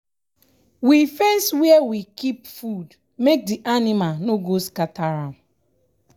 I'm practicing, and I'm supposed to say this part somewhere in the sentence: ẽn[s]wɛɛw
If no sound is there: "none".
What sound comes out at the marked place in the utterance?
s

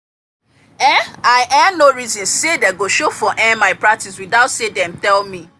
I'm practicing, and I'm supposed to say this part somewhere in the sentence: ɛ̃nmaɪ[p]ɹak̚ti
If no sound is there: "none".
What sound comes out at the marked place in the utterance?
p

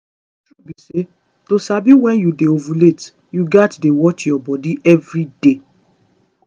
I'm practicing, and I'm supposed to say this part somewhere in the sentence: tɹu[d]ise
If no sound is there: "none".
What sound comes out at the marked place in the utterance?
b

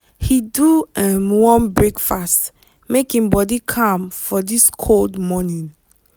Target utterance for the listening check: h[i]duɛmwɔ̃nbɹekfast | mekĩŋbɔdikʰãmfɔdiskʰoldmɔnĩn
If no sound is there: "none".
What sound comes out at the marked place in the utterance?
i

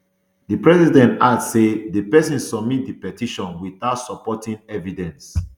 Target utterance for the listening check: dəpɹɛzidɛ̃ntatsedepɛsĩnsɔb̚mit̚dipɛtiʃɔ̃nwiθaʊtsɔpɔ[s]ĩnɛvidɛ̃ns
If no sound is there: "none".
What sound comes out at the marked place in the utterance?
t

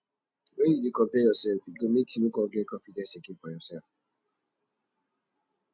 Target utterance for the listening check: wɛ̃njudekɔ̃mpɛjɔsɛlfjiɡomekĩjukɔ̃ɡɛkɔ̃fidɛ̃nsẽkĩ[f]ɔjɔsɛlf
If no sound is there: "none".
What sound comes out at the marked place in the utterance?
f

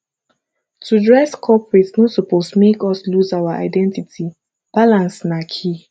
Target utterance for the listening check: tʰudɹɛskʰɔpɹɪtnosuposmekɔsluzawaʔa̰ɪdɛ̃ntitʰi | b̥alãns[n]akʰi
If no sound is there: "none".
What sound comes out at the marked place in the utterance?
n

